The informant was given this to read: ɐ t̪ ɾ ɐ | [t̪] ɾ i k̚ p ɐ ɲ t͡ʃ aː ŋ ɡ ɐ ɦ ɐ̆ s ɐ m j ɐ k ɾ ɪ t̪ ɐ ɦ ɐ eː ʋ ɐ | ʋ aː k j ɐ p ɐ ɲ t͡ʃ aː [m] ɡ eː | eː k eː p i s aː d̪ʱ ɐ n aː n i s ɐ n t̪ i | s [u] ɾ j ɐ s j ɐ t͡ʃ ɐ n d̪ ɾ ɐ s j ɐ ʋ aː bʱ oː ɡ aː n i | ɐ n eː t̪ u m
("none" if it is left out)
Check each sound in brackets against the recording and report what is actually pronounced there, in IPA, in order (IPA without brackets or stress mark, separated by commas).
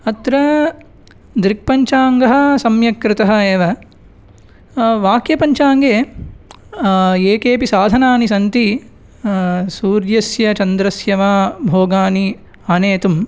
d̪, ŋ, uː